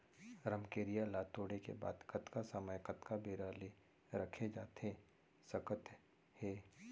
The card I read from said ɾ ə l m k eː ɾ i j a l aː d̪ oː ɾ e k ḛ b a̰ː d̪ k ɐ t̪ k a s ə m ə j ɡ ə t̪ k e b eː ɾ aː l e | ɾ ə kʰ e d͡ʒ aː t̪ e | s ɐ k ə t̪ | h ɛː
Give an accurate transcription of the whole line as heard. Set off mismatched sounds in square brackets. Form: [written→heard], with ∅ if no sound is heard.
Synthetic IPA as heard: ɾ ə [l→∅] m k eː ɾ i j a l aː [d̪→t̪] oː [ɾ→ɽ] e k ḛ b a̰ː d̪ k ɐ t̪ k a s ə m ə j [ɡ→k] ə t̪ k [e→a] b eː ɾ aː l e | ɾ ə kʰ e d͡ʒ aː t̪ e | s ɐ k ə t̪ | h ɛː